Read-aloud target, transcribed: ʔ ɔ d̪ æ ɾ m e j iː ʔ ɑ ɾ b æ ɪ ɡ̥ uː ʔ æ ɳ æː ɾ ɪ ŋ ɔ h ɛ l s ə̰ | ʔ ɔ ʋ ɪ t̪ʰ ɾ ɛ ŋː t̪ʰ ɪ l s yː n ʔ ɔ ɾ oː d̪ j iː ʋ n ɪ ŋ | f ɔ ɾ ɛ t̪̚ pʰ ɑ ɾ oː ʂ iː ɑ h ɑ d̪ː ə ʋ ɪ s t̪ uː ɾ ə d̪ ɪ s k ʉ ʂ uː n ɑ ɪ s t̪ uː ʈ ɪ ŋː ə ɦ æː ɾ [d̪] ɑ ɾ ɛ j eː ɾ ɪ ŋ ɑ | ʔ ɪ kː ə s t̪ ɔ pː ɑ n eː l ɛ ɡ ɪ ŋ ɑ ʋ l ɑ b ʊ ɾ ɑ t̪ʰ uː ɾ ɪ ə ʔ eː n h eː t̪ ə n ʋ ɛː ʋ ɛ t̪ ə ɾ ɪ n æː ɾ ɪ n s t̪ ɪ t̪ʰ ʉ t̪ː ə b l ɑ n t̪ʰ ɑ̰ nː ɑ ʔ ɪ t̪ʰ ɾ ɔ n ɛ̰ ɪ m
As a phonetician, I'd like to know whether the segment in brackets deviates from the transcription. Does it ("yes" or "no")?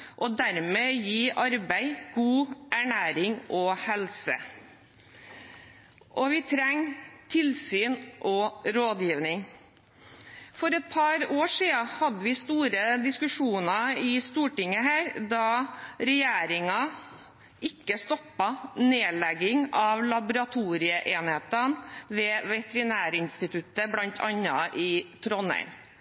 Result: no